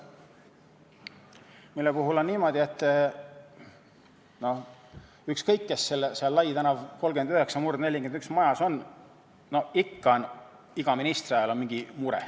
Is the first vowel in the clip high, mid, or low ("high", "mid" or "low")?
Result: high